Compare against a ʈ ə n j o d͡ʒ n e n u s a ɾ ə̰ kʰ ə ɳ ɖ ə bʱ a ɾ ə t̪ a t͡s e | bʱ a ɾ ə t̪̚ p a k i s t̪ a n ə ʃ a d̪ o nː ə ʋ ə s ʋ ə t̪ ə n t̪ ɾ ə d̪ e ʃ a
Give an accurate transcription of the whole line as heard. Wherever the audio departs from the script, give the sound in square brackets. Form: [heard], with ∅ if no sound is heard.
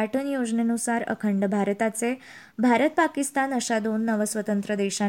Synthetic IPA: a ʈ ə n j o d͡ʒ n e n u s a ɾ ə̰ kʰ ə ɳ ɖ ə bʱ a ɾ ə t̪ a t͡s e | bʱ a ɾ ə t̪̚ p a k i s t̪ a n ə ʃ a d̪ o nː ə ʋ ə s ʋ ə t̪ ə n t̪ ɾ ə d̪ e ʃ a